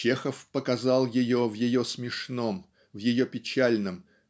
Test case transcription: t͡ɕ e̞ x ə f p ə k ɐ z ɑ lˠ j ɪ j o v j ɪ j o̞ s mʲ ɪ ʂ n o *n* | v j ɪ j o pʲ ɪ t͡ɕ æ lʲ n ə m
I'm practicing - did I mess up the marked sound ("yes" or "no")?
yes